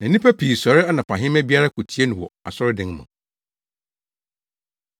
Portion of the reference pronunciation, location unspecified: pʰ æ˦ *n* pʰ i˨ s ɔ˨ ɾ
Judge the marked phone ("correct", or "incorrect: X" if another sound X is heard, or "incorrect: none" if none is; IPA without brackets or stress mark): incorrect: none